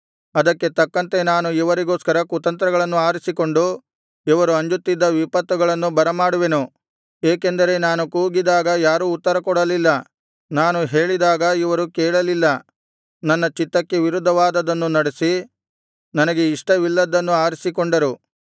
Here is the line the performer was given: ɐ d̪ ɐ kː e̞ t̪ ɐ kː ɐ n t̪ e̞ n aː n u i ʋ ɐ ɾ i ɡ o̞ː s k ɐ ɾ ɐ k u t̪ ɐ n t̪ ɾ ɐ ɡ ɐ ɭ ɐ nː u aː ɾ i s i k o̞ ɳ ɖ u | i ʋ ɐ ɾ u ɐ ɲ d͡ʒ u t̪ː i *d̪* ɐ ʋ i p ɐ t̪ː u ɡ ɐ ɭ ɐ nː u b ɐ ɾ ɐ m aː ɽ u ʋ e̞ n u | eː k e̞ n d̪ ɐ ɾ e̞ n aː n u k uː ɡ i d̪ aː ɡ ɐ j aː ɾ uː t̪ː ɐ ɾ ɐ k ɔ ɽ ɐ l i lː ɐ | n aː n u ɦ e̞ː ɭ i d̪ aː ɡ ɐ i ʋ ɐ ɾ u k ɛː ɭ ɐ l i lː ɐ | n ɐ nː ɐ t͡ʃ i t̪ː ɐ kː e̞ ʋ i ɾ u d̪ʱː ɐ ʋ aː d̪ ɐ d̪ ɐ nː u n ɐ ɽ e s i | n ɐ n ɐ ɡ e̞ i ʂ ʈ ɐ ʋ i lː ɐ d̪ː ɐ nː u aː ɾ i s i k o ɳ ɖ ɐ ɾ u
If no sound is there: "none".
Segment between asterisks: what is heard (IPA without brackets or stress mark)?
d̪ː